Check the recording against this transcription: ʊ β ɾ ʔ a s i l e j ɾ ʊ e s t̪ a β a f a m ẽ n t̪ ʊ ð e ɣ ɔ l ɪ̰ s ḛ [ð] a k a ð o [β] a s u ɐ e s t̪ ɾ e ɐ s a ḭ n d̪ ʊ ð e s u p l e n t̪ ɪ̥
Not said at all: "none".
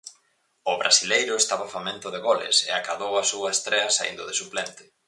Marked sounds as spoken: none, w

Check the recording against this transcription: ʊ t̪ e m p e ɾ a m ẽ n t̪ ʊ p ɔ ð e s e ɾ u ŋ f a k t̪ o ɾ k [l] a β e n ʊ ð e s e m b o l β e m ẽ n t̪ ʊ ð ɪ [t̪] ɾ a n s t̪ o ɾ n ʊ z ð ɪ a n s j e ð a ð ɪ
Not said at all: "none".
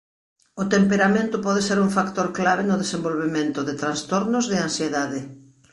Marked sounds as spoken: l, t̪

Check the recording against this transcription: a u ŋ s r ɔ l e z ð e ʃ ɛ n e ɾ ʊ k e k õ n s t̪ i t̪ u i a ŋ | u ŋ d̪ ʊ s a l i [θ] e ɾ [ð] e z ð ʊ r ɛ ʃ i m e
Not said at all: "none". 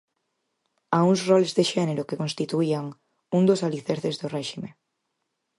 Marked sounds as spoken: θ, θ

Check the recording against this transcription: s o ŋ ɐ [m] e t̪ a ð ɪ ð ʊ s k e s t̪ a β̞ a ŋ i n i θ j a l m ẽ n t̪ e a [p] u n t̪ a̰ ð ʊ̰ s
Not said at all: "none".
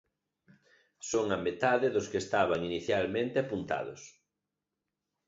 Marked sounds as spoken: m, p

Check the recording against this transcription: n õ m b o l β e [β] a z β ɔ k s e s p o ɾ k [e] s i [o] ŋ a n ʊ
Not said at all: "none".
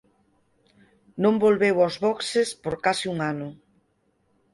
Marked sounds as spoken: w, a, u

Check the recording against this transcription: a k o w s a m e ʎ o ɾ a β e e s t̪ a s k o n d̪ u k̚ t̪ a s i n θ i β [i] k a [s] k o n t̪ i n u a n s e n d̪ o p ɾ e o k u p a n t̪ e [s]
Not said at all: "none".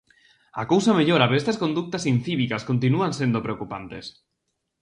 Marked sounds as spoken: i, s, s

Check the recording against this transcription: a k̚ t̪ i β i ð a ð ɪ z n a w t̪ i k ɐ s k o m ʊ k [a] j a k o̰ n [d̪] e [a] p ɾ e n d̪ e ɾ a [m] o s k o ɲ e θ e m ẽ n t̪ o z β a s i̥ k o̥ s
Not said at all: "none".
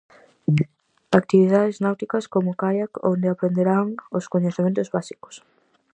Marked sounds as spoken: a, d̪, a, ŋ

